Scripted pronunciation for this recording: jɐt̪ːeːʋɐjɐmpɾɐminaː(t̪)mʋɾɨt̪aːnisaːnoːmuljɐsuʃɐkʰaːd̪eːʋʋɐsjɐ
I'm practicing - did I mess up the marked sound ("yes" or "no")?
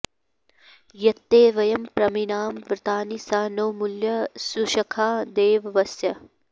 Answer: yes